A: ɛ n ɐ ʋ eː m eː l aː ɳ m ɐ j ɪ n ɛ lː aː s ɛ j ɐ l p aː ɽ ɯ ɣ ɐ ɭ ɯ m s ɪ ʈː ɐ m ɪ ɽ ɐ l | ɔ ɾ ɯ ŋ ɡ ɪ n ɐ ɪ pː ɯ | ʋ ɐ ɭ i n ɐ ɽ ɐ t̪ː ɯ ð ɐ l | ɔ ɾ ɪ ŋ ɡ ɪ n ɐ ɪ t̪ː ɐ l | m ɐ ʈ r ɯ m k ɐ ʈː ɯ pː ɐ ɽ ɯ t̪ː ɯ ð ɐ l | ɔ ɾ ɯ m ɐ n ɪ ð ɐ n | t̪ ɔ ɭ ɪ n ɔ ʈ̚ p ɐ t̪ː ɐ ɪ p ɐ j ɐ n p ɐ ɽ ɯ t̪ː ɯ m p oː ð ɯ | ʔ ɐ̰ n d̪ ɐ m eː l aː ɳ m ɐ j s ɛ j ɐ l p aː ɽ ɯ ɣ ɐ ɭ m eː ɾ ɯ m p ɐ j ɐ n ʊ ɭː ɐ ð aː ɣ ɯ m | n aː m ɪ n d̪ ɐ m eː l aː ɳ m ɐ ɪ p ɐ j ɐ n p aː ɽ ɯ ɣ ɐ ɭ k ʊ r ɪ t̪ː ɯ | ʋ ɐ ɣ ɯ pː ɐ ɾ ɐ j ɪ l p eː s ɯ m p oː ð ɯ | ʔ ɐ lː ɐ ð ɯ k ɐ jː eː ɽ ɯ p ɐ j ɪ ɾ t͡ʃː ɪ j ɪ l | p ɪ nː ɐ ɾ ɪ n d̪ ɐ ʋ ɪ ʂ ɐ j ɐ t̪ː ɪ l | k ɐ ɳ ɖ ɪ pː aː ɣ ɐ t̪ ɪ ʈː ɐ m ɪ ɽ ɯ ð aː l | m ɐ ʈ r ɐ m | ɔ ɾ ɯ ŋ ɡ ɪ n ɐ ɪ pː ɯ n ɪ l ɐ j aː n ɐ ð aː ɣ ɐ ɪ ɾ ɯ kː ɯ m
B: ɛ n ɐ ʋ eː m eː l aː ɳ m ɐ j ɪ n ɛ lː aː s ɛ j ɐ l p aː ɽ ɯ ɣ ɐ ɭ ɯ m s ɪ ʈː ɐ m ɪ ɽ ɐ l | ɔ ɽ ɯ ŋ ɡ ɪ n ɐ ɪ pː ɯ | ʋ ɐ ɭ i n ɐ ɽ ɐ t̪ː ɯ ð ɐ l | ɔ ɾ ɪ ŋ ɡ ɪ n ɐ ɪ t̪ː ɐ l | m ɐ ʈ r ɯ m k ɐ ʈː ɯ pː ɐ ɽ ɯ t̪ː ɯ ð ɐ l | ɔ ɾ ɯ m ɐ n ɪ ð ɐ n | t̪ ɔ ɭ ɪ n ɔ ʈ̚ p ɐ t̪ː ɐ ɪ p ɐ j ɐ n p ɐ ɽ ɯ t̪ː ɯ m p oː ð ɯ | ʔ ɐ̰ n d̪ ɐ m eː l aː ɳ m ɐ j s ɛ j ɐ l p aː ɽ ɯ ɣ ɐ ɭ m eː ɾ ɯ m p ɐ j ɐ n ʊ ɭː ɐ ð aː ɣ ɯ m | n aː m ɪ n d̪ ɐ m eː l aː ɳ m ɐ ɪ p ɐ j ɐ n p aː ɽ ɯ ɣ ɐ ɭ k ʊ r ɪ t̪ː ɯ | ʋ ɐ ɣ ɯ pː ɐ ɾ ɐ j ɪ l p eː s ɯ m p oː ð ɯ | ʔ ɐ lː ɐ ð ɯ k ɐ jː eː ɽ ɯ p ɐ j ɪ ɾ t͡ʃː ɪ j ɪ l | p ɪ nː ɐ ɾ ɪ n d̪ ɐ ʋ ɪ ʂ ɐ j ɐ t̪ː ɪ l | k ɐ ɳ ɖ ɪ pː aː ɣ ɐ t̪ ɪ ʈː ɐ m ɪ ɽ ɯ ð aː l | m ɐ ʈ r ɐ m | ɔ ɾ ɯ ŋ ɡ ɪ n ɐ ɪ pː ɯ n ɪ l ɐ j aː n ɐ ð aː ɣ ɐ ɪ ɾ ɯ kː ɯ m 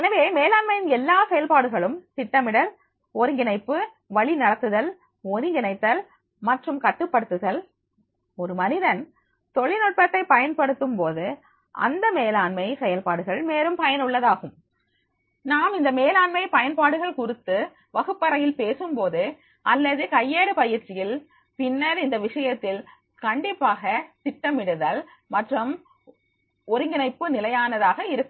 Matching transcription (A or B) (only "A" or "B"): A